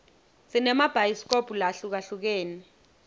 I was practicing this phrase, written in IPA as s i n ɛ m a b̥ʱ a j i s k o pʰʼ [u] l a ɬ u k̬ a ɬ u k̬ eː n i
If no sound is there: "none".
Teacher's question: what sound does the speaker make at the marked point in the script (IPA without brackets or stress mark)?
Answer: u